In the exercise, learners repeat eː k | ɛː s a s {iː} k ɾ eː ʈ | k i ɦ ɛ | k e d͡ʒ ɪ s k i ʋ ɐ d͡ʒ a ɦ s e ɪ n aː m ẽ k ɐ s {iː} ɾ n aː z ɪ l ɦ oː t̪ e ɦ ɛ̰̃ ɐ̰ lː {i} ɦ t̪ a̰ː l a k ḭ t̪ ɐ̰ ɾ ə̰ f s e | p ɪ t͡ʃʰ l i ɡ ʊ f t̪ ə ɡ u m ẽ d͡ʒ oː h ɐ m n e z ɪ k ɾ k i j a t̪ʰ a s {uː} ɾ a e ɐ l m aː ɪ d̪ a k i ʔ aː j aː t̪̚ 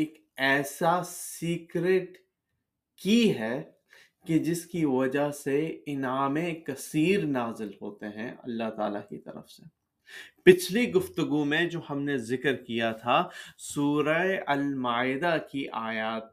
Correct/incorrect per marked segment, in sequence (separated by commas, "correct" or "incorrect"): correct, correct, incorrect, correct